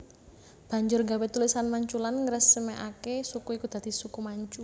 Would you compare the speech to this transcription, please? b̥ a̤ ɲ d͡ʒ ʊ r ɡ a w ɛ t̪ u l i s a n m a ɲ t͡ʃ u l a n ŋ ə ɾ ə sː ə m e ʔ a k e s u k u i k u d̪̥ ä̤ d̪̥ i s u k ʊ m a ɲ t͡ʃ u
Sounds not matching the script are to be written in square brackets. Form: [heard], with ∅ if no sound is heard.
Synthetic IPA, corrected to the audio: b̥ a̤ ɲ d͡ʒ ʊ r ɡ a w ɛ t̪ u l i s a n m a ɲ t͡ʃ u l a n ŋ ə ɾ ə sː ə m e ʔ a k e s u k u i k u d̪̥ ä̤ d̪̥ i s u k [u] m a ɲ t͡ʃ u